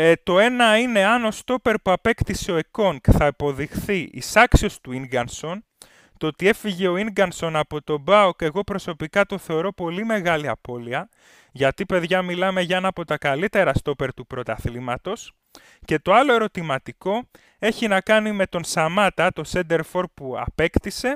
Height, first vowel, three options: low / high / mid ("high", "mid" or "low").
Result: mid